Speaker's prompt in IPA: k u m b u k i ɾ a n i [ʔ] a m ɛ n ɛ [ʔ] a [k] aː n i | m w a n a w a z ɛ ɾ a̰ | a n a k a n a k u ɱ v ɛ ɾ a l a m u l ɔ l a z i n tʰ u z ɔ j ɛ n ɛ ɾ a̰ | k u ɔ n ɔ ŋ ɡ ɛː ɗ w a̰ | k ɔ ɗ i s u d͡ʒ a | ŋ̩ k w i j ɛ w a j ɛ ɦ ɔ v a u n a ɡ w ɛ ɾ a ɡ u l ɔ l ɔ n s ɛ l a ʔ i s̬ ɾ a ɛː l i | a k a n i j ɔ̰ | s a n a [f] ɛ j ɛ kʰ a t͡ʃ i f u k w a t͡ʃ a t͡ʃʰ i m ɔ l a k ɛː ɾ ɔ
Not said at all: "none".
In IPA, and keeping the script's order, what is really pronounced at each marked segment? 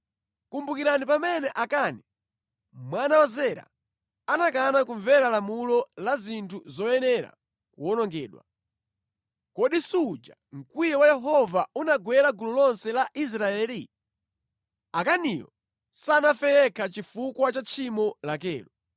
p, ʔ, k, f

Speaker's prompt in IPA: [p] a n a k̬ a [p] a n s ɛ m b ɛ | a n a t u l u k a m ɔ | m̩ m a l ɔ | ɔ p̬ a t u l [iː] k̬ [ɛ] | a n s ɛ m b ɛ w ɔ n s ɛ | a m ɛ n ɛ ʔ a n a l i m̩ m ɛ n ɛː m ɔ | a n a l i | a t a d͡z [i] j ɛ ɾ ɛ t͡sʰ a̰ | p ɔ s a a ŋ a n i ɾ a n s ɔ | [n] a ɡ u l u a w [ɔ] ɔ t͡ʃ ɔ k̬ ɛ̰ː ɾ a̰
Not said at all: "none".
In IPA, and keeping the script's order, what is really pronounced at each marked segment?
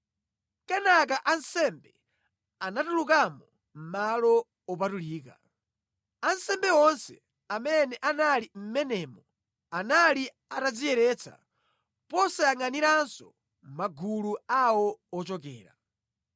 k, ʔ, iː, a, i, m, ɔ

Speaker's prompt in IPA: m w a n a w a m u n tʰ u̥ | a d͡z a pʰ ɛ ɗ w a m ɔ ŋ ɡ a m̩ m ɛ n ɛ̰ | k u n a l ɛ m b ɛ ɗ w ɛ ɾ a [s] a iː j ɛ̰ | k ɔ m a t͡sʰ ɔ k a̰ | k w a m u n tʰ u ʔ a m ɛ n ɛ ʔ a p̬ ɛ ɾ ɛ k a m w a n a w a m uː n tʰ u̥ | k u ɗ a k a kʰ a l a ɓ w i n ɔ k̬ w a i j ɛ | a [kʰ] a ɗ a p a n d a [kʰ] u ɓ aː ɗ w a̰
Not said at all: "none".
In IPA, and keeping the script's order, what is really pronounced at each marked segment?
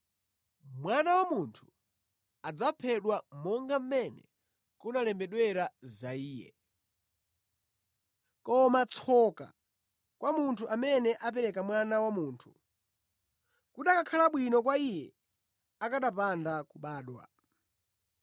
z, k, k

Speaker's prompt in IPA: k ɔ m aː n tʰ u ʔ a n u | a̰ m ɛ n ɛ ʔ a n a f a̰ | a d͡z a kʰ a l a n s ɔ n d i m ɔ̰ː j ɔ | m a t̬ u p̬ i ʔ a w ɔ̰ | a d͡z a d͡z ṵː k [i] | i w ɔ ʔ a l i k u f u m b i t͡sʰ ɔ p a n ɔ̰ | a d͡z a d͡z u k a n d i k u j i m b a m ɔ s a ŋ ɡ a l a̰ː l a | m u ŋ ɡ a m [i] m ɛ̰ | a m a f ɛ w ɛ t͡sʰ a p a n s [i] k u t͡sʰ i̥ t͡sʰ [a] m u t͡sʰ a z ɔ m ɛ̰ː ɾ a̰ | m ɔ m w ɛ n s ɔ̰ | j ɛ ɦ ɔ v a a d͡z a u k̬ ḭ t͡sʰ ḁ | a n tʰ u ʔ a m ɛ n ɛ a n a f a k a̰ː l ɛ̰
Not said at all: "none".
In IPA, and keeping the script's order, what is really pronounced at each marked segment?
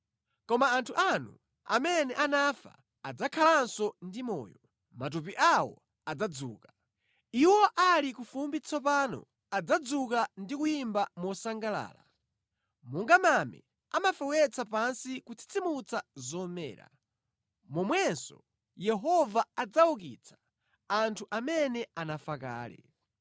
a, a, i, i

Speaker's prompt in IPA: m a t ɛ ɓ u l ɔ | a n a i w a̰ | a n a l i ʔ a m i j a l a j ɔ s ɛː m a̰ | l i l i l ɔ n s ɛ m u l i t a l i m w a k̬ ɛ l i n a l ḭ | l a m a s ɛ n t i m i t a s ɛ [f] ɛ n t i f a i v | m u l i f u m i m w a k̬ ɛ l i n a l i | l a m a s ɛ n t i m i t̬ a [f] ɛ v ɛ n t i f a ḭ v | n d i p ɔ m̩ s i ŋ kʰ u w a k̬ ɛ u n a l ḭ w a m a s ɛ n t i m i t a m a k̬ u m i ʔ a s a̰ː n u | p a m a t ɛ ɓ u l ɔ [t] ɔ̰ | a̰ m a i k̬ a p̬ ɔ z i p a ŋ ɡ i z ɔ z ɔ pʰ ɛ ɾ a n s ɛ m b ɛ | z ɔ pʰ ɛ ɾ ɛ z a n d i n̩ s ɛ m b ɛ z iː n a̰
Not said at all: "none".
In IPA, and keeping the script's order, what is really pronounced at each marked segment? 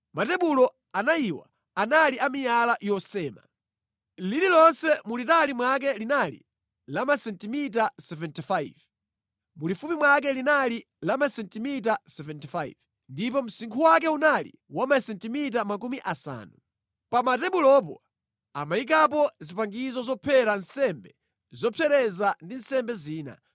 v, s, p

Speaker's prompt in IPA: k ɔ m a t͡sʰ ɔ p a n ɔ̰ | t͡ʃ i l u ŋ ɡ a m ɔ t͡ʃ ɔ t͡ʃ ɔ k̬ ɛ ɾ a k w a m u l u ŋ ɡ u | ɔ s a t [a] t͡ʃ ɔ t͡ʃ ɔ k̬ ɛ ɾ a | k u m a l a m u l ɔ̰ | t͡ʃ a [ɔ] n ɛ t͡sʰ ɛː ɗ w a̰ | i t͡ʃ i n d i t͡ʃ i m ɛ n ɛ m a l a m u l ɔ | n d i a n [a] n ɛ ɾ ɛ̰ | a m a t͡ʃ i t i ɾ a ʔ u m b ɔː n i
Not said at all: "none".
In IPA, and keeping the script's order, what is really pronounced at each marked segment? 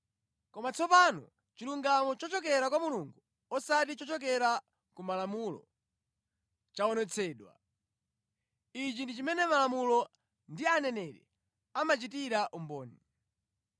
i, ɔ, ɛ

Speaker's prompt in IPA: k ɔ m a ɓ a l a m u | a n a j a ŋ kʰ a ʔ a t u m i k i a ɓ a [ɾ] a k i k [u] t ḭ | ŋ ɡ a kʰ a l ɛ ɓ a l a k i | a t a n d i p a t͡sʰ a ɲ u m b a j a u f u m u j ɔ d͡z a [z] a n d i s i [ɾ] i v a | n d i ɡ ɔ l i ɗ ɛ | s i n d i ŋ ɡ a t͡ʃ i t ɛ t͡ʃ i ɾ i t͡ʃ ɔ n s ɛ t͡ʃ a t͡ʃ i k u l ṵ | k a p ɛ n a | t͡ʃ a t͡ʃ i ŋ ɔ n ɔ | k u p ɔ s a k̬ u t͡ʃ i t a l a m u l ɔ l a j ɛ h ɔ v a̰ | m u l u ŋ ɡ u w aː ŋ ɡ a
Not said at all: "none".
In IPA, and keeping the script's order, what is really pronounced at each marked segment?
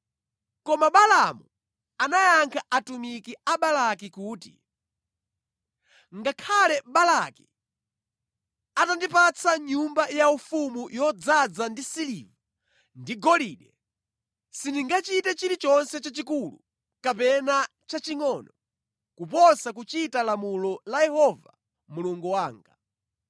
l, uː, d͡z, l

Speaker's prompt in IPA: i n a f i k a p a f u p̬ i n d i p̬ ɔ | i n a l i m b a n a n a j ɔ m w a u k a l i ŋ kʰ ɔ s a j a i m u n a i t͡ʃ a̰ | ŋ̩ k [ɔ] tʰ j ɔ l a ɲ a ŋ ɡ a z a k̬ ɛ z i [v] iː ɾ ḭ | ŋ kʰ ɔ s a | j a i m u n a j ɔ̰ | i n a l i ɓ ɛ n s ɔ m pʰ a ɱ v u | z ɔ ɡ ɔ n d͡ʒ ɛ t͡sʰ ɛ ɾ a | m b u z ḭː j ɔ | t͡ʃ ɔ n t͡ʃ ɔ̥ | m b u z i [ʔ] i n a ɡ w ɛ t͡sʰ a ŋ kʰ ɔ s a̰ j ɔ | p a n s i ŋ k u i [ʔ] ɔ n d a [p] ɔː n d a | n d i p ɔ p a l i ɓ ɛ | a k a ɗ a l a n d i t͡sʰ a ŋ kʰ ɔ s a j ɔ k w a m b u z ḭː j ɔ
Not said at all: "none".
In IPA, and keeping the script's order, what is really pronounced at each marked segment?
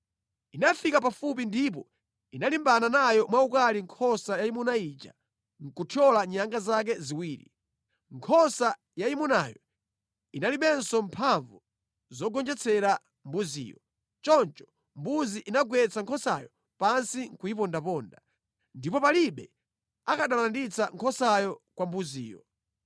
u, w, ʔ, p, p

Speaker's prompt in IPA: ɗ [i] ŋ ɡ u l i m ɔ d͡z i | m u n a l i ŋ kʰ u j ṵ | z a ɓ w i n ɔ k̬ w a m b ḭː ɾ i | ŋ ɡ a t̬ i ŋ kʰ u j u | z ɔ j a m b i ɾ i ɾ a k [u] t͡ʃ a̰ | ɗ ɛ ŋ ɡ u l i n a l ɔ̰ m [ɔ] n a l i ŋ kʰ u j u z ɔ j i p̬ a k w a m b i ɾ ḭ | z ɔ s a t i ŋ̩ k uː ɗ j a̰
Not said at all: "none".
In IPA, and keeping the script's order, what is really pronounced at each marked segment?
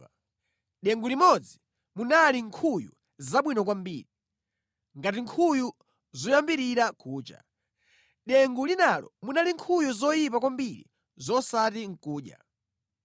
ɛ, uː, u

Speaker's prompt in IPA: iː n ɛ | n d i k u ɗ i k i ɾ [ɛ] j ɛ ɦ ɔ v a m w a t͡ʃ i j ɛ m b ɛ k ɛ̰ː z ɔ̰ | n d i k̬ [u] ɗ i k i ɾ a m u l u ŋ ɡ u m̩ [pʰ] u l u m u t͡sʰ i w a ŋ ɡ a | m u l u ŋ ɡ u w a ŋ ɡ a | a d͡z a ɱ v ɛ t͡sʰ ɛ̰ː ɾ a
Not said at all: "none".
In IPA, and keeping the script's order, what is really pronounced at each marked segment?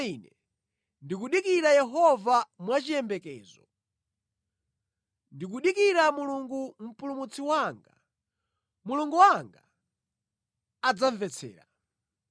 a, u, p

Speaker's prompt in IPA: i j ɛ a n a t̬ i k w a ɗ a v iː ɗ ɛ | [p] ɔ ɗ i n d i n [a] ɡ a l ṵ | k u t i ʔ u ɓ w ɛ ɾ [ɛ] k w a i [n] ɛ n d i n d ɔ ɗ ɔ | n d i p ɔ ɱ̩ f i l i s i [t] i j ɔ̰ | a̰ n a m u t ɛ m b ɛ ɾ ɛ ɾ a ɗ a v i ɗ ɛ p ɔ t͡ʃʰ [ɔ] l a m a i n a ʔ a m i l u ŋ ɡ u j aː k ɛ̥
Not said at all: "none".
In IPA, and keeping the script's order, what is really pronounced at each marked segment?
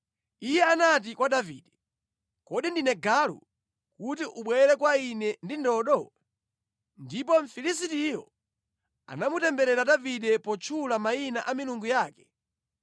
k, ɛ, ɛ, n, t, u

